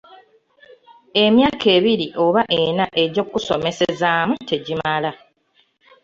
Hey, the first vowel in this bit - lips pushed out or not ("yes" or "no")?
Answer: no